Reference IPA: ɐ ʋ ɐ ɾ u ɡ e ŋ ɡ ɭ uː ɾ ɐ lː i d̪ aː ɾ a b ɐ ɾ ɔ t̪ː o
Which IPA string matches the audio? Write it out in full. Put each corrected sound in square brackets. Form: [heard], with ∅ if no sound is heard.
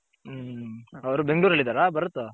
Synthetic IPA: ɐ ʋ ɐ ɾ u [b] e ŋ ɡ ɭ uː ɾ ɐ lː i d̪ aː ɾ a b ɐ ɾ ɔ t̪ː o